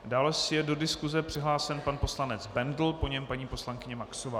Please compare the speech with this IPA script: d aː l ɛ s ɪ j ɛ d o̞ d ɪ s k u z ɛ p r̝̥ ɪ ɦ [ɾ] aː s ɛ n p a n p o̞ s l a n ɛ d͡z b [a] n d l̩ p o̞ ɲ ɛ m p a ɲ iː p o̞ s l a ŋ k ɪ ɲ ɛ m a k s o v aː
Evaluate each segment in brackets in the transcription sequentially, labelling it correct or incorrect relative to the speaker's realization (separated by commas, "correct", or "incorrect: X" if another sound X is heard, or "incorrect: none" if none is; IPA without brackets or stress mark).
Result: incorrect: l, incorrect: ɛ